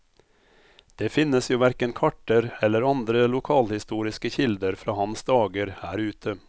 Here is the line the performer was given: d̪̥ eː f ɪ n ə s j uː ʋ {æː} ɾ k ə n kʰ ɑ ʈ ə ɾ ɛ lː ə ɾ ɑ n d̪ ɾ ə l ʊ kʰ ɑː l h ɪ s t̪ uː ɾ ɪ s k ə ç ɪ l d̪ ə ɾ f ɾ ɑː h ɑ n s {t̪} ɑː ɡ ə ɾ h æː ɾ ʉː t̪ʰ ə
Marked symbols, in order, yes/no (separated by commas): no, no